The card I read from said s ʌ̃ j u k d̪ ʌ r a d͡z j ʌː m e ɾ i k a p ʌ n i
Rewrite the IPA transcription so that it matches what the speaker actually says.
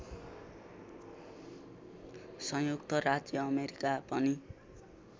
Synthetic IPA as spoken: s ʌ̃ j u k t̪ ʌ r a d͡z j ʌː m e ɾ i k a p ʌ n i